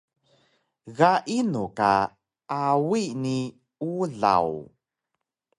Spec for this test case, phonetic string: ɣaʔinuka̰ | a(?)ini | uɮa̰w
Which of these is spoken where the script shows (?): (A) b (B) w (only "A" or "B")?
B